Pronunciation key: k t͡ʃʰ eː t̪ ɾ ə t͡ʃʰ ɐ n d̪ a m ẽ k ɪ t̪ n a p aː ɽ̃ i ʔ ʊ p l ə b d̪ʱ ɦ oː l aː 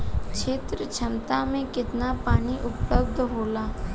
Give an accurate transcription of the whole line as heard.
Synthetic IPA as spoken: k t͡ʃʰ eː t̪ ɾ ə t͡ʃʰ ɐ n t̪ a m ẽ k ɪ t̪ n a p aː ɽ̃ i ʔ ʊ p l ə b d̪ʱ ɦ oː l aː